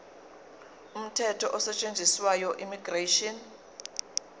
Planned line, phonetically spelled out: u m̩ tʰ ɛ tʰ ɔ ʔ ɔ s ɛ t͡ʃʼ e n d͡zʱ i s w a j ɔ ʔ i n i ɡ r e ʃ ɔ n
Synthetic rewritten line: u m̩ tʰ ɛ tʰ ɔ ʔ ɔ s ɛ t͡ʃʼ e n d͡zʱ i s w a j ɔ ʔ i m i ɡ r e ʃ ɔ n